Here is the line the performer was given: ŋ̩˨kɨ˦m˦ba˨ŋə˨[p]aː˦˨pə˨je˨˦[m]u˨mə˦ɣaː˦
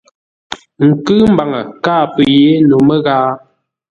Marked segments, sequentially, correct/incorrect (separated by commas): incorrect, incorrect